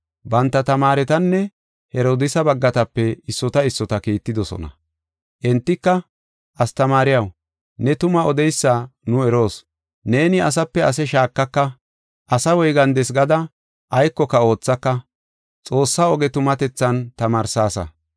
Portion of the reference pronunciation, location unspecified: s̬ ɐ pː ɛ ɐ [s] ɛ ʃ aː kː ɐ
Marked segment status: correct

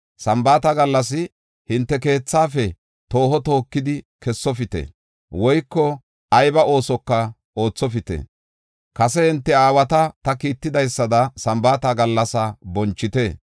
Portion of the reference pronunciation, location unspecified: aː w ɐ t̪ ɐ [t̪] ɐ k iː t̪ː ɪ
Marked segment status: correct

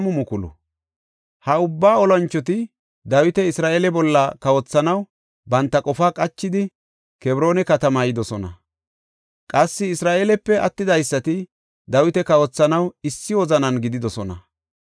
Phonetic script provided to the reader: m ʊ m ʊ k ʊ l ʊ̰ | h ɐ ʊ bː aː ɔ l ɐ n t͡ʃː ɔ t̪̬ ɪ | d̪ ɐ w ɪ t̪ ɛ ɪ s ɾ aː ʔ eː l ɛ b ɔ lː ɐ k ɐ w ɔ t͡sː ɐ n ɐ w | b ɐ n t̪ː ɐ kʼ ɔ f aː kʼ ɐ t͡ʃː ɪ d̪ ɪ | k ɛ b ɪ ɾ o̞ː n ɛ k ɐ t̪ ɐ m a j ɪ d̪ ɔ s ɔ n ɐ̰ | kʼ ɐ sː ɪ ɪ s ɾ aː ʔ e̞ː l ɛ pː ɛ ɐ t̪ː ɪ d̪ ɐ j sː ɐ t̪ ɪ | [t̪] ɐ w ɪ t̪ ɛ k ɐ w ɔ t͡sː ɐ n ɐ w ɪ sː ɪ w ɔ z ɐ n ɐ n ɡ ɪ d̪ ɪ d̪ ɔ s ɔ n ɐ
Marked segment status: incorrect: d̪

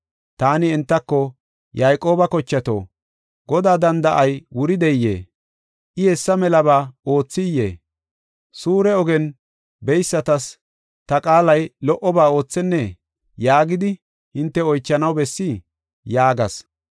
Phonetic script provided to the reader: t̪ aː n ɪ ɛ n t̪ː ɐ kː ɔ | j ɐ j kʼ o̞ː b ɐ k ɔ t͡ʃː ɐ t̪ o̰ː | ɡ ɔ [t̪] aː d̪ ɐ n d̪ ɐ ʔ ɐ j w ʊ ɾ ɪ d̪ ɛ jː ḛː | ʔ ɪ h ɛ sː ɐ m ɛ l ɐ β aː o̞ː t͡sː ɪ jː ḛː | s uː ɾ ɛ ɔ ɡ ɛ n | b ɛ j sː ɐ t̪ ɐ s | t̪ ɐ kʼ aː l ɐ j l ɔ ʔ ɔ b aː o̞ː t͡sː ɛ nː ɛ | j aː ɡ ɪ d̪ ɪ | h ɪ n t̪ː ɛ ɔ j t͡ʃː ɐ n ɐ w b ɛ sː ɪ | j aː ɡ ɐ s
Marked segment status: incorrect: d̪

